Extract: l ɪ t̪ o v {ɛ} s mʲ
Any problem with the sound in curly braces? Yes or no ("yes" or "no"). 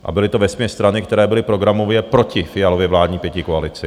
no